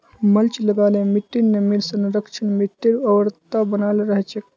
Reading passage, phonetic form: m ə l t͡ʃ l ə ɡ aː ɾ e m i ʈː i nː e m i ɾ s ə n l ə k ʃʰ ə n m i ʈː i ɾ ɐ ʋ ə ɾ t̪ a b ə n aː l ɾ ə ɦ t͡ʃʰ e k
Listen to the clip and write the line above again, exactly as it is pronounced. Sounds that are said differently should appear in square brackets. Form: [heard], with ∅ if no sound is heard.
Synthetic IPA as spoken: m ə l t͡ʃ l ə ɡ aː [l] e m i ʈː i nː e m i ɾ s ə n [ɾ] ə k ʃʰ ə n m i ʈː i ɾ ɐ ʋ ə ɾ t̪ a b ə n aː l ɾ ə ɦ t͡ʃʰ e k